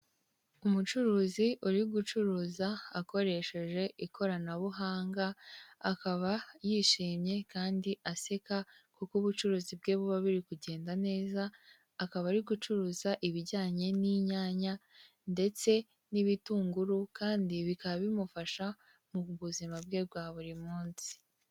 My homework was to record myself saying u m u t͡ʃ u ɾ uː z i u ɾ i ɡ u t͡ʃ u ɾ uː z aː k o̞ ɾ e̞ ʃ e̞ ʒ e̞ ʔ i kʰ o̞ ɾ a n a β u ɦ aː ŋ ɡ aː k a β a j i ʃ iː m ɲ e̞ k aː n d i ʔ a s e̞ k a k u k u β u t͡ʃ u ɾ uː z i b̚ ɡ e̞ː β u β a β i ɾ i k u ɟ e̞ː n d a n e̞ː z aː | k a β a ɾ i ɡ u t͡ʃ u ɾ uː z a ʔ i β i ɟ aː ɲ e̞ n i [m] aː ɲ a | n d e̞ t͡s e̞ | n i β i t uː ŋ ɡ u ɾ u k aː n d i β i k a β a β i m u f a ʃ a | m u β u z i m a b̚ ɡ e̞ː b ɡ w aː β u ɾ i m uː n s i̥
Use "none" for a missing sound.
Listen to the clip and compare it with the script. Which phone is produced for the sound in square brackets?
ɲ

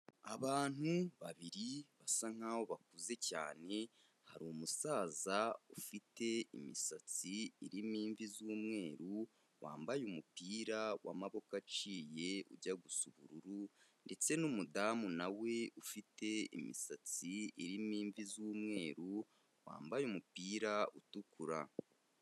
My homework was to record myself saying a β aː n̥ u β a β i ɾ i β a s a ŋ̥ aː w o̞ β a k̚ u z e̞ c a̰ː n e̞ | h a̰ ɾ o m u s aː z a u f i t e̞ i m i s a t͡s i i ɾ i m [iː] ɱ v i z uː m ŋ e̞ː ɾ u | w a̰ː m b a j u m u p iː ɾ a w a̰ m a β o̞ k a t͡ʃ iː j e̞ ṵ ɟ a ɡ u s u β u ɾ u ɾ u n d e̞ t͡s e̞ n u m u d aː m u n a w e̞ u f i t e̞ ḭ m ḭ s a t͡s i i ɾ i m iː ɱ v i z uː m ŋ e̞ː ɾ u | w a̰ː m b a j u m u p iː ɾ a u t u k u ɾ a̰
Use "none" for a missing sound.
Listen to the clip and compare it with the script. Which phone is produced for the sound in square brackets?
iː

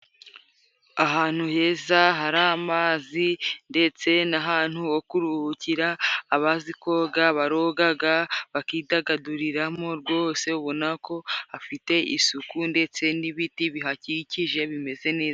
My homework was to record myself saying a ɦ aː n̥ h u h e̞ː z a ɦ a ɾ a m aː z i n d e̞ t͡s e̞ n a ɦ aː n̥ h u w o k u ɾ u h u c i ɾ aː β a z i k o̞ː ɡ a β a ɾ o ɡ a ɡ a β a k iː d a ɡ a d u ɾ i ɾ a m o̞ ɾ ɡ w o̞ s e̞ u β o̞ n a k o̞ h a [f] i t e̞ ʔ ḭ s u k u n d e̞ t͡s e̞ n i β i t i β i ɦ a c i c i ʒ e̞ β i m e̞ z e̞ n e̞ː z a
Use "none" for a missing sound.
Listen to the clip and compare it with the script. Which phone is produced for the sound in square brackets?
f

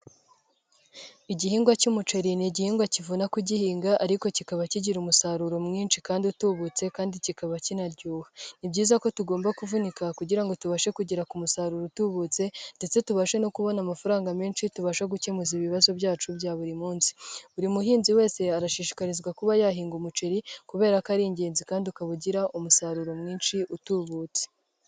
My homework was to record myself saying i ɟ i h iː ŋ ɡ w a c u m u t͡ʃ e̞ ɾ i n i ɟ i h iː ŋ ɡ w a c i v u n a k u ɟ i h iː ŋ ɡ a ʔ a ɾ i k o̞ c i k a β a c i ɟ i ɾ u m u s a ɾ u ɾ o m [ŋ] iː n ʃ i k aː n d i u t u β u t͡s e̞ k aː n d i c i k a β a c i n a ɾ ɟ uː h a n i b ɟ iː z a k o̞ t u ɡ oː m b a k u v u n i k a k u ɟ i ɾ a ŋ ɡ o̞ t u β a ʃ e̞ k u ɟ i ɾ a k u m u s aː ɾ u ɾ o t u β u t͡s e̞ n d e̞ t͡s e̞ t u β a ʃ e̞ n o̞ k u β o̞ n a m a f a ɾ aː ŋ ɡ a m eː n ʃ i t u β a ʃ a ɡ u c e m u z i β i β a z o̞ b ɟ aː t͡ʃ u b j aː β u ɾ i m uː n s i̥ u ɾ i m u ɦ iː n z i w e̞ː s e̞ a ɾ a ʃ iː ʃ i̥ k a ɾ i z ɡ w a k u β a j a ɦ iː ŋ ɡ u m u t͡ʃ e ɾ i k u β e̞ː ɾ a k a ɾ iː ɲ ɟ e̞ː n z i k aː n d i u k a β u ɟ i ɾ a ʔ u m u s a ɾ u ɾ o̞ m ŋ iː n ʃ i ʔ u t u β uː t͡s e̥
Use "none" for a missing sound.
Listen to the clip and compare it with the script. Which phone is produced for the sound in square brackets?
ŋ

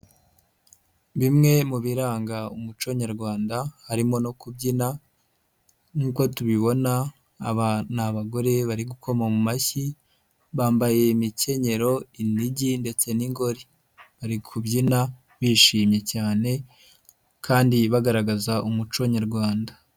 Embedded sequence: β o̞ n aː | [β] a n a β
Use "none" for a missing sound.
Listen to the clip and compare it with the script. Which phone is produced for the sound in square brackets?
β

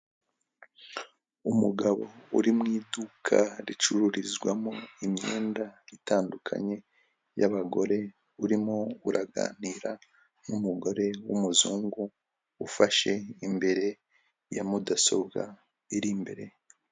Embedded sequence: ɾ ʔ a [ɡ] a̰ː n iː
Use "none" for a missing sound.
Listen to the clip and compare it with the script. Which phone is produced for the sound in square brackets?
ɡ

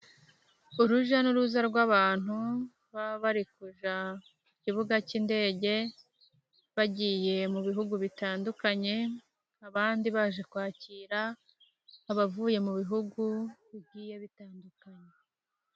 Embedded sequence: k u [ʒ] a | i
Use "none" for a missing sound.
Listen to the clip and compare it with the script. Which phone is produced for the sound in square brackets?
ʒ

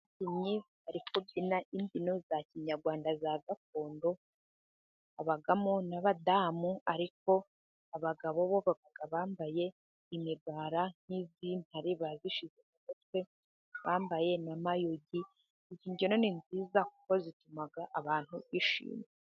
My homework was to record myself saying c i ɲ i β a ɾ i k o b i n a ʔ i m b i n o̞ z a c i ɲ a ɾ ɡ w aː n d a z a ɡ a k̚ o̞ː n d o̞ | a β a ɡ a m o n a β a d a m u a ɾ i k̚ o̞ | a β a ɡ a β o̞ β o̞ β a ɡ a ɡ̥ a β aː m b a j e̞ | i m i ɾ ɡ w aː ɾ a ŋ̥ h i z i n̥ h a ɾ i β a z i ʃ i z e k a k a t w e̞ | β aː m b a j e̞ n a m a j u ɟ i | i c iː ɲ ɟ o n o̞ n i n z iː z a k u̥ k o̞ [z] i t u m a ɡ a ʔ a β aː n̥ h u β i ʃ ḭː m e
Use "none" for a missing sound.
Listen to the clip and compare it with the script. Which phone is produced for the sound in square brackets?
z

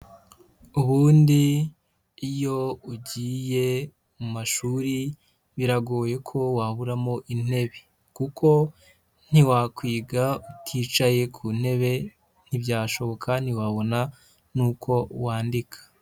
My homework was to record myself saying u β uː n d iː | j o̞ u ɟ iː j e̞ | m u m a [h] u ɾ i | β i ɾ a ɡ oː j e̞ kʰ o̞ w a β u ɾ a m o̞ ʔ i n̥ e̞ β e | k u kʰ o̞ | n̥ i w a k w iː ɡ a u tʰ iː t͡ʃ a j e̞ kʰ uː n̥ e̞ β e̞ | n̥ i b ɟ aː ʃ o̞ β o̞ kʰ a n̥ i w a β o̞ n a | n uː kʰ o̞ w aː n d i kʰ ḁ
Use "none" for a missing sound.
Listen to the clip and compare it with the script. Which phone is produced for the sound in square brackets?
ʃ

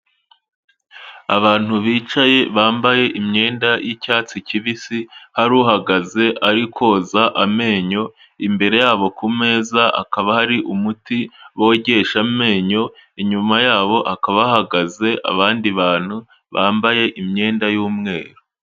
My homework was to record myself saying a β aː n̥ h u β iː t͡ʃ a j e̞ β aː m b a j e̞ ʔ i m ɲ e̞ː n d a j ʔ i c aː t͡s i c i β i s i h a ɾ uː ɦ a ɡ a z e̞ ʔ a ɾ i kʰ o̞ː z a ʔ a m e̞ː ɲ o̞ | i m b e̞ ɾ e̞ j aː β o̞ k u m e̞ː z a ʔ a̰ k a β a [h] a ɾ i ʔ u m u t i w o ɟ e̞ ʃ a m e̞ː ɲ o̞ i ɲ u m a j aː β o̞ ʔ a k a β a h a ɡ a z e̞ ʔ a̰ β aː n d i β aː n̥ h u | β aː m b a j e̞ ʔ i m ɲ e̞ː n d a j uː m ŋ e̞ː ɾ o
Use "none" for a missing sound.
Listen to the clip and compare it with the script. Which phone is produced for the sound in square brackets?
h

